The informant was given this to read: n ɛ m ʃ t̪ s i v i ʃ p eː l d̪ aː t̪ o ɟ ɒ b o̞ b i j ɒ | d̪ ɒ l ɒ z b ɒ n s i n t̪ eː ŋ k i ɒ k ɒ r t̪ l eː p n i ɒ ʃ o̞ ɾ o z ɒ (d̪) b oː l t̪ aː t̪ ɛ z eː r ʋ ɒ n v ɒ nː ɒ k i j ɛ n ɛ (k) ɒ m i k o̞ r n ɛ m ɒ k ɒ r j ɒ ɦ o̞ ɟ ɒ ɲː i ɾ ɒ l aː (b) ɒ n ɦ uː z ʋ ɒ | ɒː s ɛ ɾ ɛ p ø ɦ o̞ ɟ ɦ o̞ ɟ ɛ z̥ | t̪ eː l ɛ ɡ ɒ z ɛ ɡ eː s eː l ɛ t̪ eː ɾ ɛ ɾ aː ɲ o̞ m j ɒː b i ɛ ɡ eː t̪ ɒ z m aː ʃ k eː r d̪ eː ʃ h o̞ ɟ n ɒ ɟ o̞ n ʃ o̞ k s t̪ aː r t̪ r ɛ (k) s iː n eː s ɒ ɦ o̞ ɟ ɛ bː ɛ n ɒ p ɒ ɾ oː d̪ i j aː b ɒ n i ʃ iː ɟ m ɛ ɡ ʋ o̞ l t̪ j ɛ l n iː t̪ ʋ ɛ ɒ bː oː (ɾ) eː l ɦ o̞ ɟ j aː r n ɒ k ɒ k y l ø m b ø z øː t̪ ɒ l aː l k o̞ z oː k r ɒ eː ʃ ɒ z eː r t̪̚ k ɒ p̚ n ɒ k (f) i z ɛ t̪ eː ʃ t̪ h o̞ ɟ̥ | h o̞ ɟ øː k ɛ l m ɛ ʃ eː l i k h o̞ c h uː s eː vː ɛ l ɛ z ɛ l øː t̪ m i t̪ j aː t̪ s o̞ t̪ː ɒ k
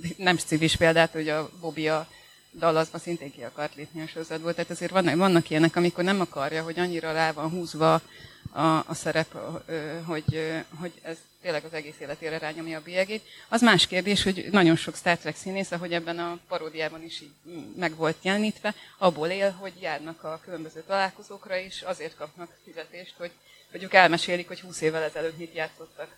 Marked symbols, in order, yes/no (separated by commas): yes, yes, no, yes, no, yes